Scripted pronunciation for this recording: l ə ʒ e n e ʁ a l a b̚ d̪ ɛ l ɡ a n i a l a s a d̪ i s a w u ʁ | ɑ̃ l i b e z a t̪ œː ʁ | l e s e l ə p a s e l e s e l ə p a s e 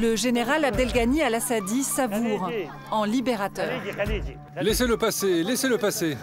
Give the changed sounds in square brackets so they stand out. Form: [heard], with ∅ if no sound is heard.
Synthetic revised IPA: l ə ʒ e n e ʁ a l a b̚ d̪ ɛ l ɡ a n i a l a s a d̪ i s a [v] u ʁ | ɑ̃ l i b e [ʁ] a t̪ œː ʁ | l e s e l ə p a s e l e s e l ə p a s e